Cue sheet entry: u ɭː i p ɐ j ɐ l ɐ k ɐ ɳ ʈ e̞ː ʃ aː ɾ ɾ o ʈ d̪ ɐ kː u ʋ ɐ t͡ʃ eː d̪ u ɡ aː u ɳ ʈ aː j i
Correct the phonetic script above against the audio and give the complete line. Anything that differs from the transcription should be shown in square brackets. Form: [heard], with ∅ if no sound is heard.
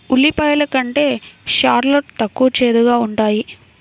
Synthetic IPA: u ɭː i p ɐ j ɐ l ɐ k ɐ ɳ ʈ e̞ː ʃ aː ɾ [l] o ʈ [t̪] ɐ kː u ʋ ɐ t͡ʃ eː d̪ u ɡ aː u ɳ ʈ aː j i